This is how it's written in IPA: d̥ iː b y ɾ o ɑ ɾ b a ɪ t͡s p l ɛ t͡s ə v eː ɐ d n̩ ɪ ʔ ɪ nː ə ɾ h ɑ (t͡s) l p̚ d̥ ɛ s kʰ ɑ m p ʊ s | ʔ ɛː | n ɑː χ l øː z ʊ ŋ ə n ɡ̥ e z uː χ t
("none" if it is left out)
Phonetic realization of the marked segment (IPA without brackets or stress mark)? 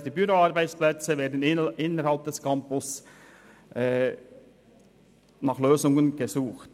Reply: none